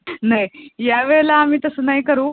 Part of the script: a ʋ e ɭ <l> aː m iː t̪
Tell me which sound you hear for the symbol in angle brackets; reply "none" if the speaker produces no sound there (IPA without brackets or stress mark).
l